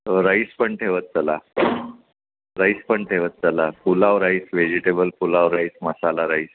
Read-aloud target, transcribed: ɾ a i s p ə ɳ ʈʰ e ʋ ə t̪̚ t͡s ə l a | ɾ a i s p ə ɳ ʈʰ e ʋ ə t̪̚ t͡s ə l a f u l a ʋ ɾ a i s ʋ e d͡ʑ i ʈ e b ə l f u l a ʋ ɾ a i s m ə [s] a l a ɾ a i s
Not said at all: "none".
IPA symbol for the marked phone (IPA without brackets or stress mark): s